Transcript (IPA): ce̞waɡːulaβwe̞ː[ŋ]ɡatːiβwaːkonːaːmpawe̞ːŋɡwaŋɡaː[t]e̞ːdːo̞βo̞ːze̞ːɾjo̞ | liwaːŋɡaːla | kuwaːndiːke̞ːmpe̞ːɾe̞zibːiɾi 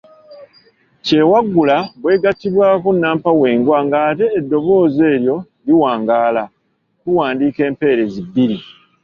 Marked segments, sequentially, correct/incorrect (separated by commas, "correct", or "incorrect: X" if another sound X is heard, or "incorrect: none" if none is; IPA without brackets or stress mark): incorrect: none, correct